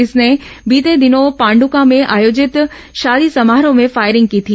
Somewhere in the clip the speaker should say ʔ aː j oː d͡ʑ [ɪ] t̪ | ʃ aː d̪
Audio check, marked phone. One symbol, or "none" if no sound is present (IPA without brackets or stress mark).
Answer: ɪ